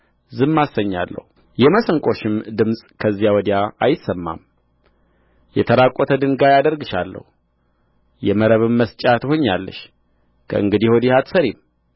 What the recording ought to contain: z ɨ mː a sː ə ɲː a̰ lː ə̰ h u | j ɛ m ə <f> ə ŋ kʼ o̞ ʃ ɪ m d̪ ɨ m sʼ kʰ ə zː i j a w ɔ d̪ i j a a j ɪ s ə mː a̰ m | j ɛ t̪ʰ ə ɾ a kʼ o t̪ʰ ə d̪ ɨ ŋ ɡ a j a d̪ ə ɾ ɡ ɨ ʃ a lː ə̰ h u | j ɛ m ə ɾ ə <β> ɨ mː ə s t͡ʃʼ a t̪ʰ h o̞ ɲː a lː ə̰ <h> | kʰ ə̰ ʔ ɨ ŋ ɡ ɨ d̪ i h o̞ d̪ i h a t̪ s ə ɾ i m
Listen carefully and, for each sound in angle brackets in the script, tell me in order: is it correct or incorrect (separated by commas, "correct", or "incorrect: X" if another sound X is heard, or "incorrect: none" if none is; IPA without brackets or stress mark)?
incorrect: s, correct, incorrect: ʃ